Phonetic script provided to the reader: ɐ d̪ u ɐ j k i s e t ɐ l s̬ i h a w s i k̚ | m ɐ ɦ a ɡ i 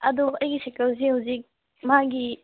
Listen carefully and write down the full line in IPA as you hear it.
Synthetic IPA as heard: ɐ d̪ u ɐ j ɡ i s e k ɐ l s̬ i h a w z i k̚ | m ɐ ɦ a ɡ i